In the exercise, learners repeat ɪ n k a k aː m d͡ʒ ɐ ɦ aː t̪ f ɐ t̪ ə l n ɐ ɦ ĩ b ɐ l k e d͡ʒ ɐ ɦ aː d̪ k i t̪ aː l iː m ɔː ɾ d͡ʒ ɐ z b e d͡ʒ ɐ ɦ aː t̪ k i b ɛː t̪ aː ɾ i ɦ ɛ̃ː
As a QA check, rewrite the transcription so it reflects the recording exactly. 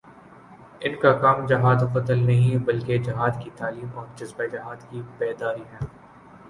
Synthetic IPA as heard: ɪ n k a k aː m d͡ʒ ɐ ɦ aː d̪ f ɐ t̪ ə l n ɐ ɦ ĩ b ɐ l k e d͡ʒ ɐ ɦ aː d̪ k i t̪ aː l iː m ɔː ɾ d͡ʒ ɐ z b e d͡ʒ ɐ ɦ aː d̪ k i b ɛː d̪ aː ɾ i ɦ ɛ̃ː